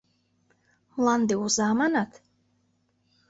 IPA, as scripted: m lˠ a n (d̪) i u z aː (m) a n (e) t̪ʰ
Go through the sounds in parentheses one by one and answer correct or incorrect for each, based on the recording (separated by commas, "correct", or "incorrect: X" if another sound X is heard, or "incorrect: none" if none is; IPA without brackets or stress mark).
correct, correct, incorrect: a